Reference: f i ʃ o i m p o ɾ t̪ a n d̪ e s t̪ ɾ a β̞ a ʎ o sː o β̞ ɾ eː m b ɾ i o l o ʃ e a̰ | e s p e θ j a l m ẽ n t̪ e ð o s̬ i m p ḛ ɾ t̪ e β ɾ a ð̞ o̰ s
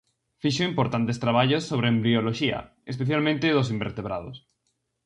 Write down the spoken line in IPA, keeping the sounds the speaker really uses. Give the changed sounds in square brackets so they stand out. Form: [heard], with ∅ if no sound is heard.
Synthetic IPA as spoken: f i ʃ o i m p o ɾ t̪ a n [t̪] e s t̪ ɾ a β̞ a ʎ o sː o β̞ ɾ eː m b ɾ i o l o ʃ [i] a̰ | e s p e θ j a l m ẽ n t̪ e ð o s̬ i m [b] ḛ ɾ t̪ e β ɾ a ð̞ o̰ s